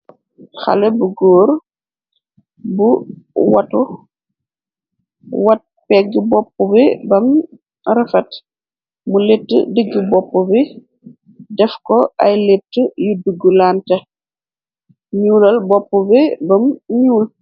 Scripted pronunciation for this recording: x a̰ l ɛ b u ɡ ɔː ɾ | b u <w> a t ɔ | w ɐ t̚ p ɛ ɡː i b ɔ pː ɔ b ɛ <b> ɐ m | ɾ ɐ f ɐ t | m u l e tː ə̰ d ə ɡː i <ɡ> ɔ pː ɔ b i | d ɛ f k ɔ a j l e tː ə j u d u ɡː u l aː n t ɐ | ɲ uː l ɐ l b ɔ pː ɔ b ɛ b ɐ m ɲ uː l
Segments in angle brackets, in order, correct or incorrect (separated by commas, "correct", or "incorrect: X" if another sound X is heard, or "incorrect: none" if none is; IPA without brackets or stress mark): correct, correct, incorrect: b